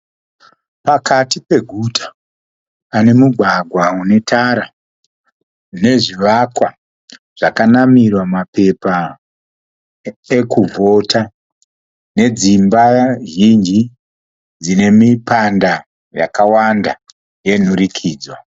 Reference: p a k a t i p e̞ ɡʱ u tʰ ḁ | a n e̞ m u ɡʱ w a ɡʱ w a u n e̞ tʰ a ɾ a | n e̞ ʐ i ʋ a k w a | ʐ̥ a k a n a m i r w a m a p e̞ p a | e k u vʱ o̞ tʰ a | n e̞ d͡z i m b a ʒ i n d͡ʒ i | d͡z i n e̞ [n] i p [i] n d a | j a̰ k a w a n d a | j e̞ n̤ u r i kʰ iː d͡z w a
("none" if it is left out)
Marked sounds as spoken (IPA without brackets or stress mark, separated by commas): m, a